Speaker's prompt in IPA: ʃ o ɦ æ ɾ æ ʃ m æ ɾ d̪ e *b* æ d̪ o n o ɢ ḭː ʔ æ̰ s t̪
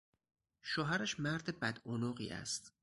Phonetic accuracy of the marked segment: correct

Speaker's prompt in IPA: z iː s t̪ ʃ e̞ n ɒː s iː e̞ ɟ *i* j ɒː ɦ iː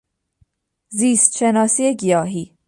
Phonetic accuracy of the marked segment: correct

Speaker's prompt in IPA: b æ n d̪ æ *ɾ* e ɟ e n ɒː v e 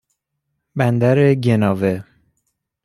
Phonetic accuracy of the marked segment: correct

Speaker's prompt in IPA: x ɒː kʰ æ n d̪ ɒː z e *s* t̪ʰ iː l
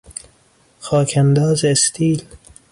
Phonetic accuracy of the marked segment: correct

